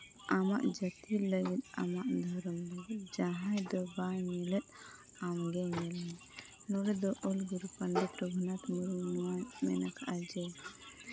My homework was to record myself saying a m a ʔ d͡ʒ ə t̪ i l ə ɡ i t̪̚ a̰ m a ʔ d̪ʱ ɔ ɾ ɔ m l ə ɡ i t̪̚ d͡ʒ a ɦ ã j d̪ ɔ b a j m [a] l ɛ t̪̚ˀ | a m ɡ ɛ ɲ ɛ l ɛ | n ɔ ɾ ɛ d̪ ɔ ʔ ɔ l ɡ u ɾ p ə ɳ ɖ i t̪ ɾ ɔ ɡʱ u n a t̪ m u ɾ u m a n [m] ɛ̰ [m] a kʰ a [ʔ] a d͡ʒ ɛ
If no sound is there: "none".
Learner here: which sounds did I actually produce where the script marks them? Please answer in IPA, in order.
i, m, n, ʔ

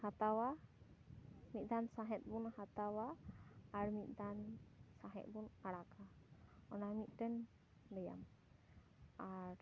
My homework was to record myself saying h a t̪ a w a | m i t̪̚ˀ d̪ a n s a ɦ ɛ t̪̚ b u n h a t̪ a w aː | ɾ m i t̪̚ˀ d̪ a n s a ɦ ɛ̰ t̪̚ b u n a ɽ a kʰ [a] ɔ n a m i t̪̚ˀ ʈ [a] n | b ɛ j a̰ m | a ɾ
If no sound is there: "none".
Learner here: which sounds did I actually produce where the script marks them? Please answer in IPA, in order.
a, ɛ

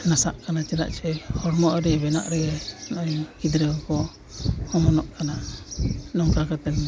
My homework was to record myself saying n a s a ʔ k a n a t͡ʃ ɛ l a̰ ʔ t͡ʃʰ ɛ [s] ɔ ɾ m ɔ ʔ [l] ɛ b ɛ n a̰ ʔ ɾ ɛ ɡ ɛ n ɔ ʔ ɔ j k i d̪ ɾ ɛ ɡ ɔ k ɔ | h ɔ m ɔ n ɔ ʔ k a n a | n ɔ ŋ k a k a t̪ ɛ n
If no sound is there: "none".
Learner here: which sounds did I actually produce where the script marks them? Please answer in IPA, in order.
h, ɾ

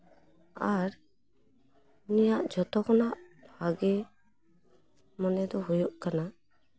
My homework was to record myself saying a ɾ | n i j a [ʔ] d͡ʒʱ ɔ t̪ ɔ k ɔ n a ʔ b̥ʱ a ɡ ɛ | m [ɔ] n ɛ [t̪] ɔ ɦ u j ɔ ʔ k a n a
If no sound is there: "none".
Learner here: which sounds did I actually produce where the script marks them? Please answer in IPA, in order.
ʔ, ɔ, d̪

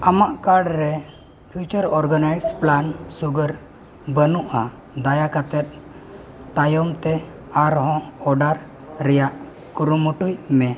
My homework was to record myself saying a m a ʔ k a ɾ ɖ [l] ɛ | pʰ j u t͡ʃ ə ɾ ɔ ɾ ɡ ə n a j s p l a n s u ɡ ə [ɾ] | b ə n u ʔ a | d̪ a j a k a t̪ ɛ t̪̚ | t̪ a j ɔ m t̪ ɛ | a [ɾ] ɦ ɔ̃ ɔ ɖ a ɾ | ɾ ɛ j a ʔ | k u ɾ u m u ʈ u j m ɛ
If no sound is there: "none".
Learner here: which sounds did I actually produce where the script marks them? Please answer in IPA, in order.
ɾ, ɾ, ɾ

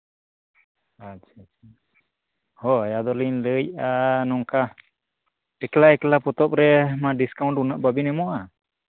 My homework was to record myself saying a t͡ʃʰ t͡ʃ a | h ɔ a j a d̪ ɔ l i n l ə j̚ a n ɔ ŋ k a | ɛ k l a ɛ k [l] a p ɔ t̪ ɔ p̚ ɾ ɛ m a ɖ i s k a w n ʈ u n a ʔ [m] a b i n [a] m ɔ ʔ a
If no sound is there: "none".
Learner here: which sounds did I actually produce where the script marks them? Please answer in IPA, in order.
l, b, ɛ

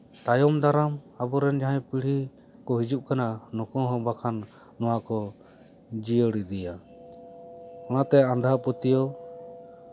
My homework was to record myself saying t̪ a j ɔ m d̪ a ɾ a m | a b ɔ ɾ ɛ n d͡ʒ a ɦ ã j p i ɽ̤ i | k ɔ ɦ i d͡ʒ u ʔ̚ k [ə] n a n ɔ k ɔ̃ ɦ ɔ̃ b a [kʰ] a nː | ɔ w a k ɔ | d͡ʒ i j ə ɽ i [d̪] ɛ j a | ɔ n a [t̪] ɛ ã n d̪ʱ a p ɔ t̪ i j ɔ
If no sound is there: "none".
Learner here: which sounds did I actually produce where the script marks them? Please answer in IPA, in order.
a, kʰ, d̪, t̪

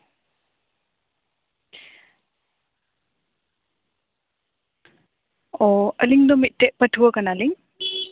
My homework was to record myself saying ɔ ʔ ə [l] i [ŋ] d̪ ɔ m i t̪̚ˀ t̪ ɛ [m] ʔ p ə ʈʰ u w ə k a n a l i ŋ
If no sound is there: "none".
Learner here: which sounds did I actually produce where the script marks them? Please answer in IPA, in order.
l, ŋ, none

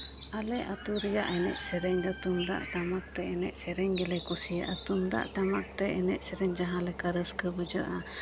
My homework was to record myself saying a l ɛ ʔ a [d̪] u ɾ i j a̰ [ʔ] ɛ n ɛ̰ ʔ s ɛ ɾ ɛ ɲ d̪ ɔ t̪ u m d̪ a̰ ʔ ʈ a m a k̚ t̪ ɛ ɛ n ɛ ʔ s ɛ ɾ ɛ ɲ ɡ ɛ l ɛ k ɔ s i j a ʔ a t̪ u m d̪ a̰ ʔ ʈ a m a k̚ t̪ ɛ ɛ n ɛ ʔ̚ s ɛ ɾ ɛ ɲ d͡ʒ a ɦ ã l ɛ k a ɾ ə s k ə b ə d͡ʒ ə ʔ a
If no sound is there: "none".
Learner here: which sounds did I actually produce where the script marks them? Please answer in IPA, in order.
t̪, ʔ

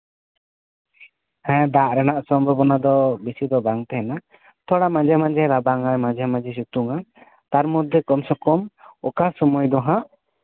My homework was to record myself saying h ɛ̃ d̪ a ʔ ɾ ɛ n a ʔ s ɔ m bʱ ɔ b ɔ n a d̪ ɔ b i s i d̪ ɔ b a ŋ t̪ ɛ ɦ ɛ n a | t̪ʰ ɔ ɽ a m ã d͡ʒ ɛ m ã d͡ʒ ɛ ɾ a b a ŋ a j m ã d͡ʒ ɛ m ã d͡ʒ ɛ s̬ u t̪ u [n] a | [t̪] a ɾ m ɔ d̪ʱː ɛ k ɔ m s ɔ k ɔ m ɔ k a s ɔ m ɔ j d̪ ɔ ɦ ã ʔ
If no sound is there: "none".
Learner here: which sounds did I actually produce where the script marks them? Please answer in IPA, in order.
ŋ, t̪

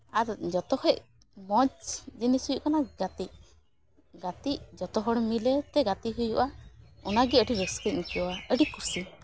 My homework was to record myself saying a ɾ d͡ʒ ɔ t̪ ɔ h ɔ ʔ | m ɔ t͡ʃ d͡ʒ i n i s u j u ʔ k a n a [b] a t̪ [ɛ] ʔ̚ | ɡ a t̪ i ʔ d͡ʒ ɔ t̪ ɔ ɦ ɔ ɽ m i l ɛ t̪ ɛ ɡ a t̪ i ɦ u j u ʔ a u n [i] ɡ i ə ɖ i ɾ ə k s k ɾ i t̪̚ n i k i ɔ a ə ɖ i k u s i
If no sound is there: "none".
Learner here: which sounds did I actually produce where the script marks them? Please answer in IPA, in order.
ɡ, i, a

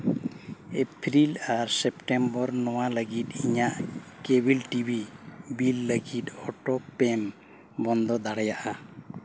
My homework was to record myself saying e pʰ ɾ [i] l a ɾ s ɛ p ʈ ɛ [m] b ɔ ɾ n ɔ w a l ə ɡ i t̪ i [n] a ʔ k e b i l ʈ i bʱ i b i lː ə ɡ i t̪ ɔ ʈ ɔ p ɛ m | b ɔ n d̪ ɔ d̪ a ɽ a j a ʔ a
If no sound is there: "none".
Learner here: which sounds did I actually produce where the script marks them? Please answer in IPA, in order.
i, m, ɲ

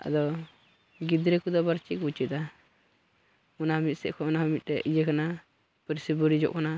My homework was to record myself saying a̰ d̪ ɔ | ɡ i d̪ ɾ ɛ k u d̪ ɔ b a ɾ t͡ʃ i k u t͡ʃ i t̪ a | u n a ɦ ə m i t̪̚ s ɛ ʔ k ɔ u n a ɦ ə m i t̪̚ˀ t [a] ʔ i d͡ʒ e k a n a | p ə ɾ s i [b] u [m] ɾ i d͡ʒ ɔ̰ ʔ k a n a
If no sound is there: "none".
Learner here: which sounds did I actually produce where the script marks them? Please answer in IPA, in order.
ɛ, b, none

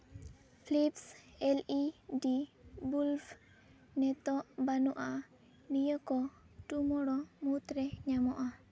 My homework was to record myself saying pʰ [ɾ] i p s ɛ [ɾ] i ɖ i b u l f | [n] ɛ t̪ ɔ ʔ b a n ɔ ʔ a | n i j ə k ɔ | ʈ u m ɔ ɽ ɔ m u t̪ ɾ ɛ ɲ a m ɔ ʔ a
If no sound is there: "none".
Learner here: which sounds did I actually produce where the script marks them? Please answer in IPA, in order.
l, l, n

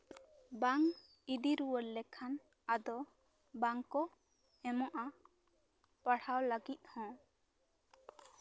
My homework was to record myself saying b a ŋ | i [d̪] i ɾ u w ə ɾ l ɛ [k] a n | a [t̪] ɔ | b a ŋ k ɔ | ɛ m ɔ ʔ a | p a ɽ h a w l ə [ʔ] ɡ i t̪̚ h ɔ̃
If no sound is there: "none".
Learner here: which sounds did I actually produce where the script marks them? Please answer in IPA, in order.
d̪, kʰ, d̪, none

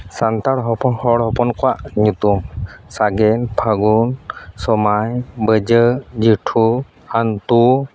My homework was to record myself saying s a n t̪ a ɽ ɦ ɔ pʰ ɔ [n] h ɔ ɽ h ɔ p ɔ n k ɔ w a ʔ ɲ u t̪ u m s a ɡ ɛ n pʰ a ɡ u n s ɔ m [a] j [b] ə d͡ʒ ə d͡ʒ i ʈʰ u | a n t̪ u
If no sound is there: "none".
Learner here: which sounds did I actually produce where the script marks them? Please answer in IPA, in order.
n, a, b

